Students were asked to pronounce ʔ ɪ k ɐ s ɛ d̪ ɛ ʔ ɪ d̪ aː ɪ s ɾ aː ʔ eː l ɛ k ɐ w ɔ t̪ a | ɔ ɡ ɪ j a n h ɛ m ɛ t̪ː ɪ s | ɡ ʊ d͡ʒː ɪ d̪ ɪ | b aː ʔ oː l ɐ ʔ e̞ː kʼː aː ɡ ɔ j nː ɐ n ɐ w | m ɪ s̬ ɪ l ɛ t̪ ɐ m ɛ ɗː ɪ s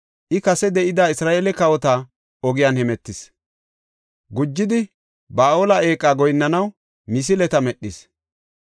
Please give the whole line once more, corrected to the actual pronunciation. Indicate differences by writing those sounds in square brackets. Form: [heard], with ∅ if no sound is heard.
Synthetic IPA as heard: ʔ ɪ k ɐ s ɛ d̪ ɛ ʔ ɪ d̪ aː ɪ s ɾ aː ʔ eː l ɛ k ɐ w ɔ t̪ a | ɔ ɡ ɪ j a n h ɛ m ɛ t̪ː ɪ s | ɡ ʊ d͡ʒː ɪ d̪ ɪ | b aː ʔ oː l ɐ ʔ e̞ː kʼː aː ɡ ɔ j nː ɐ n ɐ w | m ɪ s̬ ɪ l ɛ t̪ ɐ m ɛ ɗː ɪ s